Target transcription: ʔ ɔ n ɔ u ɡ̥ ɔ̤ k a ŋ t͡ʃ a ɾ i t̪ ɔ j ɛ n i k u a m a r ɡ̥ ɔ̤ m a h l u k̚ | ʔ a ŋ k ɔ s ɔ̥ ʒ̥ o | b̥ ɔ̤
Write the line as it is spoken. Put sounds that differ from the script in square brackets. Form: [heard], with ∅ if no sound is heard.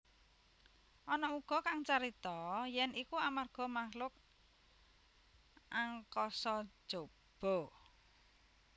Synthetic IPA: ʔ ɔ n ɔ u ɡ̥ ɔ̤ k a ŋ t͡ʃ a ɾ i t̪ ɔ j ɛ n i k u a m a r ɡ̥ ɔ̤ m a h l [ʊ] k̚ | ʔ a ŋ k ɔ s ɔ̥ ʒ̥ o | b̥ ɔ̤